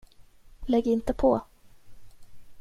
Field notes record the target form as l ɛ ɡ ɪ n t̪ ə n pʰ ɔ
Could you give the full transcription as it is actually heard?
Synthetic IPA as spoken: l ɛ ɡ ɪ n t̪ ə pʰ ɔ

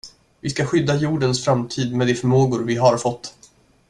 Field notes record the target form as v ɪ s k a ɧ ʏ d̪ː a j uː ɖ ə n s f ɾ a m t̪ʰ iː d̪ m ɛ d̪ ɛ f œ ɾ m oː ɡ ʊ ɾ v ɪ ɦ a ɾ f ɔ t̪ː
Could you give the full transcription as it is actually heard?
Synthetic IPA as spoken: v ɪ s k a ɧ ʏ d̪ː a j uː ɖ ə n s f ɾ a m t̪ʰ iː d̪ m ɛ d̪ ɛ f œ ɾ m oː ɡ ʊ ɾ v ɪ ɦ a ɾ f ɔ t̪ː

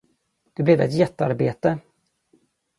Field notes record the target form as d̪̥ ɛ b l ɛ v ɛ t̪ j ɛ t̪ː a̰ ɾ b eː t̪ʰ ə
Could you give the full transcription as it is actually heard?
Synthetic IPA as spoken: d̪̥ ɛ b l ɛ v ɛ t̪ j ɛ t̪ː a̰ ɾ b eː t̪ ə

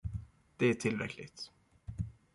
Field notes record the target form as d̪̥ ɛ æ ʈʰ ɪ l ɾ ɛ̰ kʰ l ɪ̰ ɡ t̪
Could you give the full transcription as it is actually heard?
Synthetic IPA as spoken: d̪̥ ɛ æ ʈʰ ɪ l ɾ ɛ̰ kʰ l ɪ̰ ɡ t̪

